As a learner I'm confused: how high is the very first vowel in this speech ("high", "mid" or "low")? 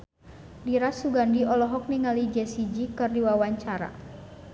high